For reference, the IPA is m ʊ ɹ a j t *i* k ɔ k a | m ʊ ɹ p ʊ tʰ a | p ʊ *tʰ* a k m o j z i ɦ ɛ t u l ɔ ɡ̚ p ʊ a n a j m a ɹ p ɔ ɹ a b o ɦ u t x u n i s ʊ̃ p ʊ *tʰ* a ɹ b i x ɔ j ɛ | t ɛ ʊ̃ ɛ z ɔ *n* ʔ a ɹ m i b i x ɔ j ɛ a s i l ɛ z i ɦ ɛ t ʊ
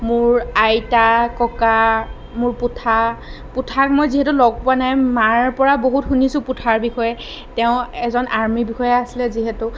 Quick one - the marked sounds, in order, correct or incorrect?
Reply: incorrect: a, correct, correct, correct

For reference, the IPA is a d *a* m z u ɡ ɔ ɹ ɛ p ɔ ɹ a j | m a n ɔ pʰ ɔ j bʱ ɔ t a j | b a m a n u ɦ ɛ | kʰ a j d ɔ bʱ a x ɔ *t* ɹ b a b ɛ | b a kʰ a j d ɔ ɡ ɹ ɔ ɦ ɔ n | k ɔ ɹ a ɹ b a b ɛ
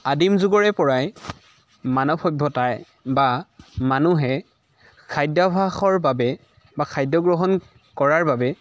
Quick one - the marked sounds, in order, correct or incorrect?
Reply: incorrect: i, incorrect: none

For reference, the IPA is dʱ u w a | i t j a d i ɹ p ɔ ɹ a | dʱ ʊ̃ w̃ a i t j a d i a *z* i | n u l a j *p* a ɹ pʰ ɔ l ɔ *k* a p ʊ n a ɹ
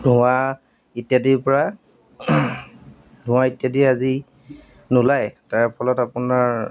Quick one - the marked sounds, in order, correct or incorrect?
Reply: correct, incorrect: t, incorrect: t

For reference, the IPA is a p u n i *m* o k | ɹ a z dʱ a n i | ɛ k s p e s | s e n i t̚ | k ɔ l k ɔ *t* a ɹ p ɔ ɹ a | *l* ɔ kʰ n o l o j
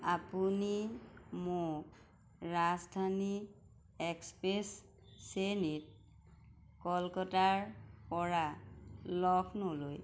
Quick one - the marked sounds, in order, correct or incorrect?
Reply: correct, correct, correct

